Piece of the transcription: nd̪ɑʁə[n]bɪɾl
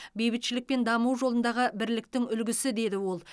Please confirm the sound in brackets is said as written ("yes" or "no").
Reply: no